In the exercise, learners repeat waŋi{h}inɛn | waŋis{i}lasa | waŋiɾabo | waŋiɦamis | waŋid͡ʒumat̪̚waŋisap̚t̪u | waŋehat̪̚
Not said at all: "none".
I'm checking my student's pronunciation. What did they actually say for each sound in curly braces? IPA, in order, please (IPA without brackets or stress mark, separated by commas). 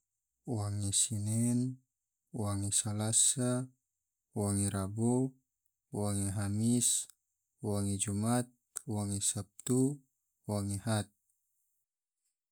s, a